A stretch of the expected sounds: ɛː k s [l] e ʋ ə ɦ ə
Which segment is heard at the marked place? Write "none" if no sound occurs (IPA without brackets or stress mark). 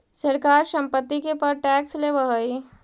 l